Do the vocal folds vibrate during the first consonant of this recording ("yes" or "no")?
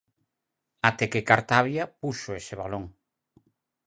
no